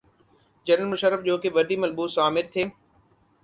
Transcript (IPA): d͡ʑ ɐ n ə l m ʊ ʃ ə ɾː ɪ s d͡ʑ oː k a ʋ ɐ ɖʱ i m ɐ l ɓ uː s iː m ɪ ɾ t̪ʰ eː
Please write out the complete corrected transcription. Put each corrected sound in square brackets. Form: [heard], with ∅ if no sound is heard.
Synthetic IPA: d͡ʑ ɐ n ə l m ʊ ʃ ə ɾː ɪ [f] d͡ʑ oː k [e] ʋ ɐ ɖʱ i m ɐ l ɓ uː s [aː] m ɪ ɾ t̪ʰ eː